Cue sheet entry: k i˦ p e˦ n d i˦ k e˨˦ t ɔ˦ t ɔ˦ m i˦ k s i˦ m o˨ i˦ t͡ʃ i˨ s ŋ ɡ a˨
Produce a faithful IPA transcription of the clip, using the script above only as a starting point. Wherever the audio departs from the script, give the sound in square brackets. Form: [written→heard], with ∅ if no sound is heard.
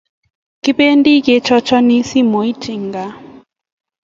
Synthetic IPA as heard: k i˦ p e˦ n d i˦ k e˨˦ [t→t͡ʃ] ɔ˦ [t→t͡ʃ] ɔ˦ [m→n] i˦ [k→∅] s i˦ m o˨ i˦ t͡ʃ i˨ [s→∅] ŋ ɡ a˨